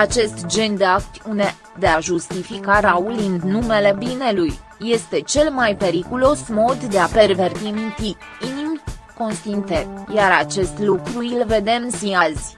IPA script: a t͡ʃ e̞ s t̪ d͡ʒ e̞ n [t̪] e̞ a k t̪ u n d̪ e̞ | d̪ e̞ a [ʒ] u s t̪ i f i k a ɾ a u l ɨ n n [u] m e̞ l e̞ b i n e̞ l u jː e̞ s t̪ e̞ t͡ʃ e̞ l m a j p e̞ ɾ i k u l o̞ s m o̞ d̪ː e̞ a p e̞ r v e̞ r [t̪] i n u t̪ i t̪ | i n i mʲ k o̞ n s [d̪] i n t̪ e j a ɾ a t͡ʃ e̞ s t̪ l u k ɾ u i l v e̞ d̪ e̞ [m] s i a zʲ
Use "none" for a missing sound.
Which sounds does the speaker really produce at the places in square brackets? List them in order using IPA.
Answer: d̪, ʒ, u, t̪, t̪, m

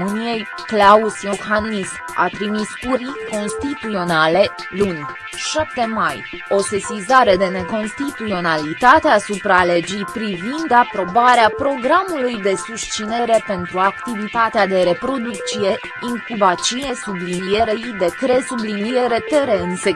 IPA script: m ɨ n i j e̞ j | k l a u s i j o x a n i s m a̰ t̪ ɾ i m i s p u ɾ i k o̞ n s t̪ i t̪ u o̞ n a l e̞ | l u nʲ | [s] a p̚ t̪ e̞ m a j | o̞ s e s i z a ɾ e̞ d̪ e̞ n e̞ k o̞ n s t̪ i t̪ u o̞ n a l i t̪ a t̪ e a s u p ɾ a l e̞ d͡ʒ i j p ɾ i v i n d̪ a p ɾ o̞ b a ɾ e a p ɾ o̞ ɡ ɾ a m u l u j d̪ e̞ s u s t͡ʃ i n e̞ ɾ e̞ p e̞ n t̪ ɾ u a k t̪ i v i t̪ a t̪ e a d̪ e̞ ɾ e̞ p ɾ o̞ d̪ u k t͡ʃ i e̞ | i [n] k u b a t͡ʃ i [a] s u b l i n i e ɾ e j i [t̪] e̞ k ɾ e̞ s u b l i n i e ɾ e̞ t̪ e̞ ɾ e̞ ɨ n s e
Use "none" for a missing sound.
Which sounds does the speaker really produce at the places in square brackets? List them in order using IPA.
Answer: ʃ, ŋ, e, d̪

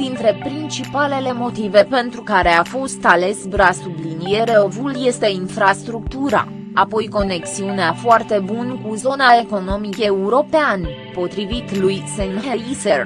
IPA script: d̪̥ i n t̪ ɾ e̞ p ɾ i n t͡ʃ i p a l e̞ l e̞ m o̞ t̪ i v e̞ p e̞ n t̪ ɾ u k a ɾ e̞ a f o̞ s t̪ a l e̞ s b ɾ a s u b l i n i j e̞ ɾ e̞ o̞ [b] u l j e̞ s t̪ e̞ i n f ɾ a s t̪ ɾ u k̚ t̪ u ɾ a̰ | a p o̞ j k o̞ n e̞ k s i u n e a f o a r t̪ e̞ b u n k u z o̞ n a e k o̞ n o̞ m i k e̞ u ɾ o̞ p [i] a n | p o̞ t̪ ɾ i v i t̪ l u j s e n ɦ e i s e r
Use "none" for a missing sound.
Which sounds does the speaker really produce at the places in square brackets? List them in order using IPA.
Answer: v, e

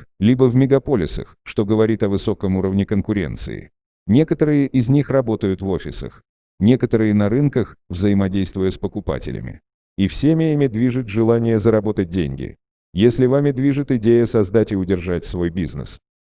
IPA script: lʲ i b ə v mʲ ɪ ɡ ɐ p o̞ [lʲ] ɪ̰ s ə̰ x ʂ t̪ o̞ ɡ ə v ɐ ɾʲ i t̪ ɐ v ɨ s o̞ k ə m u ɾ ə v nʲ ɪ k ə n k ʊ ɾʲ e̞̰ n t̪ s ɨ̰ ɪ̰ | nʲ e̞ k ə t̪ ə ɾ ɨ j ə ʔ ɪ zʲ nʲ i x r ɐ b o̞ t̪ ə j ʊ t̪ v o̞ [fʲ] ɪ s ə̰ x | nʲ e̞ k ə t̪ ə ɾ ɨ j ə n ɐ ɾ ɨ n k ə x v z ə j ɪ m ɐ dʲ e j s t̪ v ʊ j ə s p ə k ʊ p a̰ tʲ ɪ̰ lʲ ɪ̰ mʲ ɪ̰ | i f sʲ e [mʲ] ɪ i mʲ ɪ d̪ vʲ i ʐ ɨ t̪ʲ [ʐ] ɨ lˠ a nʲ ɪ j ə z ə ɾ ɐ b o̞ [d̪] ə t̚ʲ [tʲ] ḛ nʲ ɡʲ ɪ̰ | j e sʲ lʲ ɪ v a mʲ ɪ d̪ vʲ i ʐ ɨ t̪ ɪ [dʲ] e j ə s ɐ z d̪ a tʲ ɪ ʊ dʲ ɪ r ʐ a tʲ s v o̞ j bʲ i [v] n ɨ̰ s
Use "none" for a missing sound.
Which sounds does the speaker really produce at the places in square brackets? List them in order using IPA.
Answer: lʲ, fʲ, mʲ, ʐ, t̪, dʲ, dʲ, z

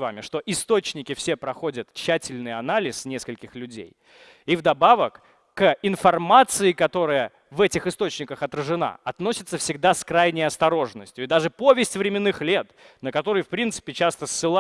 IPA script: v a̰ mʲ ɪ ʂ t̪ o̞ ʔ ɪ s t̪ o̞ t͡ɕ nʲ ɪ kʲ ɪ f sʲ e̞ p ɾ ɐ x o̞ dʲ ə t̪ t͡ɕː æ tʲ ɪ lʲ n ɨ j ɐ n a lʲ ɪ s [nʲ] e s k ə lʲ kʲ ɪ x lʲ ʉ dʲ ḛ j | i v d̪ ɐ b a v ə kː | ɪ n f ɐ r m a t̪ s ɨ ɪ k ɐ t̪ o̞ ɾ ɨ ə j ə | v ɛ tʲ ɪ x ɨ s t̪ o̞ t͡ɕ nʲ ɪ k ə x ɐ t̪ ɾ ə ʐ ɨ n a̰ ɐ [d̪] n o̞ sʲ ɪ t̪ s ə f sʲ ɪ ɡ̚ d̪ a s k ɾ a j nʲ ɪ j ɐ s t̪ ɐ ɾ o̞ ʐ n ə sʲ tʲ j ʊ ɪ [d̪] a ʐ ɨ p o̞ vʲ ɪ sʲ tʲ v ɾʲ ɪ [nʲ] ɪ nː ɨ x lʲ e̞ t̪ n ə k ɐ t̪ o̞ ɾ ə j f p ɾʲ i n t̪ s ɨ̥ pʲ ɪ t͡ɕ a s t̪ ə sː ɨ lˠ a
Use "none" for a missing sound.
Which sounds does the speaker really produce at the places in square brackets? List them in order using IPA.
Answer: nʲ, t̪, d̪, mʲ

